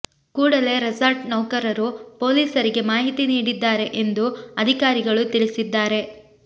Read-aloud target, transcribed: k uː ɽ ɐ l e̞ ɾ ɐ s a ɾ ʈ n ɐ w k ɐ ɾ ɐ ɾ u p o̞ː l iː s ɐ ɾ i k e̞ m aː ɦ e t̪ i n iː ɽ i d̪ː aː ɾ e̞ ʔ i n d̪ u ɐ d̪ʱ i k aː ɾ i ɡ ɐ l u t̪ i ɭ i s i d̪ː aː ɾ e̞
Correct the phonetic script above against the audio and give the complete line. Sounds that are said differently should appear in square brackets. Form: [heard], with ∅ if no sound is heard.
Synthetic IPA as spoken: k uː ɽ ɐ l e̞ ɾ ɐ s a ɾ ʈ n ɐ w k ɐ ɾ ɐ ɾ u p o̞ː l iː s ɐ ɾ i [ɡ] e̞ m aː ɦ [i] t̪ i n iː ɽ i d̪ː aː ɾ e̞ ʔ [e] n d̪ u ɐ d̪ʱ i k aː ɾ i ɡ ɐ [ɭ] u t̪ i ɭ i s i d̪ː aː ɾ e̞